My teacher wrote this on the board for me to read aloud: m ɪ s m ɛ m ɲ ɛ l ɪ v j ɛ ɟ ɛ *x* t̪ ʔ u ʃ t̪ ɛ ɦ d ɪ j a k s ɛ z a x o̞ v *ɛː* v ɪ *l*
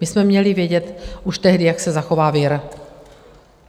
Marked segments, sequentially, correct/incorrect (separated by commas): incorrect, incorrect, incorrect